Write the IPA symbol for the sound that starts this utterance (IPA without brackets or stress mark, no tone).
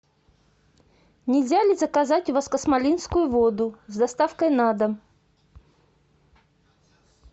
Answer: nʲ